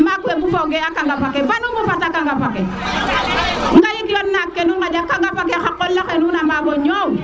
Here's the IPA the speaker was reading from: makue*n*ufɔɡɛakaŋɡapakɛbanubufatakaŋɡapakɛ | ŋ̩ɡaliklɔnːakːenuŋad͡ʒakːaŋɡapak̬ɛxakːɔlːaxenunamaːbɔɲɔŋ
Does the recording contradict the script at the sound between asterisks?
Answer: yes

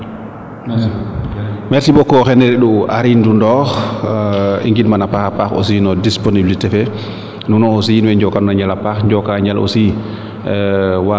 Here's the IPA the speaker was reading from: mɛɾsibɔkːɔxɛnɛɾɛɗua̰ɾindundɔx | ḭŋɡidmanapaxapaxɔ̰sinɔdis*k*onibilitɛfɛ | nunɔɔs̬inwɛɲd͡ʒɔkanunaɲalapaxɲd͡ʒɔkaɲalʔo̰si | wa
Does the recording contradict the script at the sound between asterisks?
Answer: yes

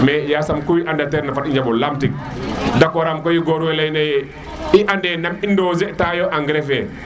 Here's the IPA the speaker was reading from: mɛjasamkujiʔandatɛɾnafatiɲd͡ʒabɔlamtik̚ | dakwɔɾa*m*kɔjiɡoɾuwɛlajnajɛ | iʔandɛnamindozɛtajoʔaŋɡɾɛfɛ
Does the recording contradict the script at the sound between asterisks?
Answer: no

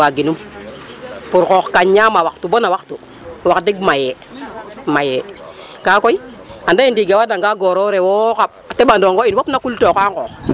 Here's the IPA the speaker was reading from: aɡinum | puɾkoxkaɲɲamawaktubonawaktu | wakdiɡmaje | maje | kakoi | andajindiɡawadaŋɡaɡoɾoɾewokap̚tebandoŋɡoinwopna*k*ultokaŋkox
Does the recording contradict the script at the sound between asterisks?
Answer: no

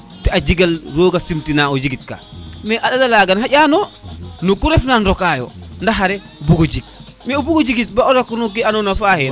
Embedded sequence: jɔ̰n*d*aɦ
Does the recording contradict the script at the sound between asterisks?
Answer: no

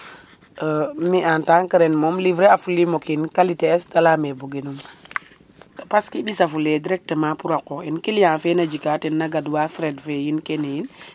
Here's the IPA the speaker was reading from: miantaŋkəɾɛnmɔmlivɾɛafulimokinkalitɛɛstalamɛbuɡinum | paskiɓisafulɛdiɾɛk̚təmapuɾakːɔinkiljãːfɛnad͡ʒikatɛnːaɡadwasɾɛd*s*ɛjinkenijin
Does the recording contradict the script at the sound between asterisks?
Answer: yes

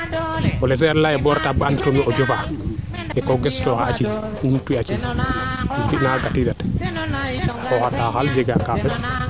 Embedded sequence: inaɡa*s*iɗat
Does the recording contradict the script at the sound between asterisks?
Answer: yes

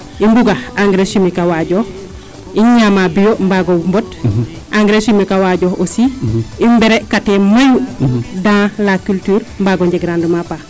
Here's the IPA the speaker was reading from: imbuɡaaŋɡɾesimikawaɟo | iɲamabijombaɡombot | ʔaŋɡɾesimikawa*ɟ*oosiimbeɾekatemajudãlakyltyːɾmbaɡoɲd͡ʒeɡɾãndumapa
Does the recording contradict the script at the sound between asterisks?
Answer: no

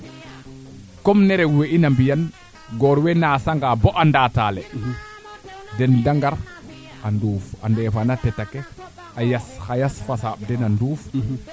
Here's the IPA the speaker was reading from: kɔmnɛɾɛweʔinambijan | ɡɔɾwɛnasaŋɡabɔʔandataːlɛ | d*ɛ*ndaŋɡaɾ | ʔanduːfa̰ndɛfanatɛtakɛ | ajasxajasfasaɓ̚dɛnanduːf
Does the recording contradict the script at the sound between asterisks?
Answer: no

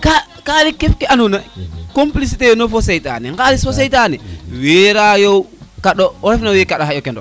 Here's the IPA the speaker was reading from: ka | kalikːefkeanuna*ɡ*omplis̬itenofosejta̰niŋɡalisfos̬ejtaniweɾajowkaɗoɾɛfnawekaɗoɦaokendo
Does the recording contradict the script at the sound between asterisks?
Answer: yes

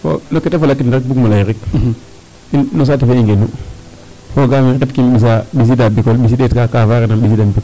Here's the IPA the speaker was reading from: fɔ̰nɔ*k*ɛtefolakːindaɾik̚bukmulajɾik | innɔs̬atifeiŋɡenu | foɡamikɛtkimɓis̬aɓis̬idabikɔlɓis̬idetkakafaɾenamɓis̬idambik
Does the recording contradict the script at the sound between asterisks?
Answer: no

